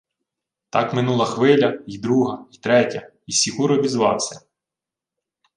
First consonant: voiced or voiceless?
voiceless